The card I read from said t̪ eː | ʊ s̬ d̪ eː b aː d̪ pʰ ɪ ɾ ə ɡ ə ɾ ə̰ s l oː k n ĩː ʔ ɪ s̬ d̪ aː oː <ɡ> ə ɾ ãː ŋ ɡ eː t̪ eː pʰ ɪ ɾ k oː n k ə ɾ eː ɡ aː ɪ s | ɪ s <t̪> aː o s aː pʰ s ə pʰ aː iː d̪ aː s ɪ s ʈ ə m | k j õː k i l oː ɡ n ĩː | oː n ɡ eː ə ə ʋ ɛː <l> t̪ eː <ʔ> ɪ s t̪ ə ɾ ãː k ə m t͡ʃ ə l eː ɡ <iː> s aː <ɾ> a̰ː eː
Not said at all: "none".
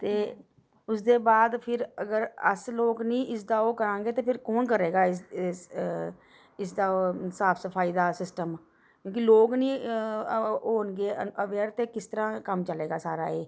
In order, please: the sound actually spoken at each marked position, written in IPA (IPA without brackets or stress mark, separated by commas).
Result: k, d̪, ɾ, k, aː, ɾ